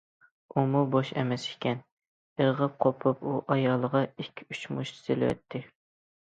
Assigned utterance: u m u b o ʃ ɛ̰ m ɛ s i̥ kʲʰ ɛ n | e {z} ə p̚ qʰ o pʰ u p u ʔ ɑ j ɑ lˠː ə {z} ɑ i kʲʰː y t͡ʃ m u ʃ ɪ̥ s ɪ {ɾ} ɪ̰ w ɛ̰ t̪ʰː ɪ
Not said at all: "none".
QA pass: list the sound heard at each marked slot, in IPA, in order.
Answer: ʁ, ʁ, l

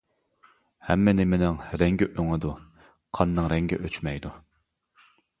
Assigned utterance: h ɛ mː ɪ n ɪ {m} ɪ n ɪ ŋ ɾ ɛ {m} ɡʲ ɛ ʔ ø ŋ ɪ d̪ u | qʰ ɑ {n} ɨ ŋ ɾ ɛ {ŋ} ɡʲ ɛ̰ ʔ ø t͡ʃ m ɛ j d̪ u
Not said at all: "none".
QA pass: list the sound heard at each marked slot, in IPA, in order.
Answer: m, ŋ, nː, ŋ

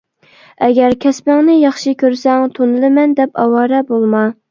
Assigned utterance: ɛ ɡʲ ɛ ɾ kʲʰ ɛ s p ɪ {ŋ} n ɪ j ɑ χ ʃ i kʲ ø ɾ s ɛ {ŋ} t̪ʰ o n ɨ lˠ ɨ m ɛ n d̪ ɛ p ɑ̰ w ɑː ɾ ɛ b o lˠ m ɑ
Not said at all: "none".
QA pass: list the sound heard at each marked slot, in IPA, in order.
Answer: ŋ, ŋ

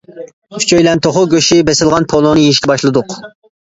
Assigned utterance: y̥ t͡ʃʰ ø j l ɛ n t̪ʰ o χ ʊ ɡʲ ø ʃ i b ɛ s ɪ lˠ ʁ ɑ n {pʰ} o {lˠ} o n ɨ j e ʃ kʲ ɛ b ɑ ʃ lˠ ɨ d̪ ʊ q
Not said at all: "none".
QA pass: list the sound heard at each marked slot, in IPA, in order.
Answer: pʰ, lˠ

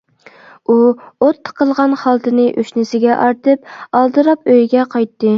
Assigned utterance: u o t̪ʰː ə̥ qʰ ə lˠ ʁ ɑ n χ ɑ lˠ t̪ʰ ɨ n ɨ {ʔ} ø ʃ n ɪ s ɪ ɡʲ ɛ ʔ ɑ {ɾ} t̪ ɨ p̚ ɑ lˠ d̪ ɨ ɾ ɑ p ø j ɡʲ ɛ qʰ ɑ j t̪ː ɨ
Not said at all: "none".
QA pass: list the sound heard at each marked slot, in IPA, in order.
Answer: ʔ, ɾ

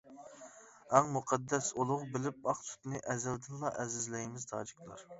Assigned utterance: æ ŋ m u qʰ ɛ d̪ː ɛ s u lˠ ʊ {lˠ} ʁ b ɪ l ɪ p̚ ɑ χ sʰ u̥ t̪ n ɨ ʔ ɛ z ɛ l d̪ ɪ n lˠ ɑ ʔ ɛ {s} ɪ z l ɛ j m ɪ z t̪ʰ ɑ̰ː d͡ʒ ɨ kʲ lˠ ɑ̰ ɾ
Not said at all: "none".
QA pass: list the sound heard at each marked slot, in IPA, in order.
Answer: none, z

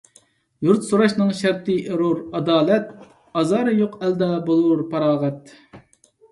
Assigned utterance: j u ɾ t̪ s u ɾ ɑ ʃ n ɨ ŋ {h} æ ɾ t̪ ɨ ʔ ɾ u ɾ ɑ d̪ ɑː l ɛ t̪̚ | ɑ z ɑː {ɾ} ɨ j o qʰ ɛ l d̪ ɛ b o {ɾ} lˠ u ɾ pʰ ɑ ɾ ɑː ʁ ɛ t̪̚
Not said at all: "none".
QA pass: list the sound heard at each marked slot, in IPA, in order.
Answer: ʃ, ɾ, none

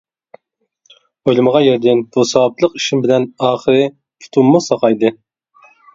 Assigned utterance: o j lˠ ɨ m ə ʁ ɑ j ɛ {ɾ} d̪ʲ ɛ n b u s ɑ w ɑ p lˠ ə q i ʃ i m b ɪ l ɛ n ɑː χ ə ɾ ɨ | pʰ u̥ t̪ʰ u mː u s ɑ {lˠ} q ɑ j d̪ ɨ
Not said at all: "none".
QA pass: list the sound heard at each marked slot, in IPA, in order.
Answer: ɾ, none

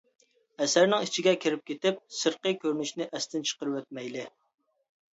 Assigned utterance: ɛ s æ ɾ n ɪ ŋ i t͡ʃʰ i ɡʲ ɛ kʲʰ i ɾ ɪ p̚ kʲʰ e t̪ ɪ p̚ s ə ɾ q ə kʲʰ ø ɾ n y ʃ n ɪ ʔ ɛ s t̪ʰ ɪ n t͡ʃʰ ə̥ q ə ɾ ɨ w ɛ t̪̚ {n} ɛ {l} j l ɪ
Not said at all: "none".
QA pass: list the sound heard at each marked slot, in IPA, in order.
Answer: m, none

